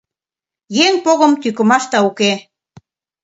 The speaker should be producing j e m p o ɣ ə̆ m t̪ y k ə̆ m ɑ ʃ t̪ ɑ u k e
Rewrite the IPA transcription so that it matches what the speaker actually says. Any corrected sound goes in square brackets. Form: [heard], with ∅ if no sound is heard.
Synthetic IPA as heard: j e [ŋ] p o ɣ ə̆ m t̪ y k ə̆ m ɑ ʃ t̪ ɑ u k e